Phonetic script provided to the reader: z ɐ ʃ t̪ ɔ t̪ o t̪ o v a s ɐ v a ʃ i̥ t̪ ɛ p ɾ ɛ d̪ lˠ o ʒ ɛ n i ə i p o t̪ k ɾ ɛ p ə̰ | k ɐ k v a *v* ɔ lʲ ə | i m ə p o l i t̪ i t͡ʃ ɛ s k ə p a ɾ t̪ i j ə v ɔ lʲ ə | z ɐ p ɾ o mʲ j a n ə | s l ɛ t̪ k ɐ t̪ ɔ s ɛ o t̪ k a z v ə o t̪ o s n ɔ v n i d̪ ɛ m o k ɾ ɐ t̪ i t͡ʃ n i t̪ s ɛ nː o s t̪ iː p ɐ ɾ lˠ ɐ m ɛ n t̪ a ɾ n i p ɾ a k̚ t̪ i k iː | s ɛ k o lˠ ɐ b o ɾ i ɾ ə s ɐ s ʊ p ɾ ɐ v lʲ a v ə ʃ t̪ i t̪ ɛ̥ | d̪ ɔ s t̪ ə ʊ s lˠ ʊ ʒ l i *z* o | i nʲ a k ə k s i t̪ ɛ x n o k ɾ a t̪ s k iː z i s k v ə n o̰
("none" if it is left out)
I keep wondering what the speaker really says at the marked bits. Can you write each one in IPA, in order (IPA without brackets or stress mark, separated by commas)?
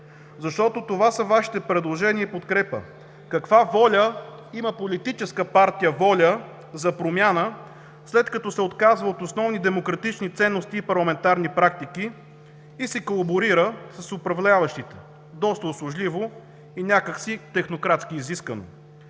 v, v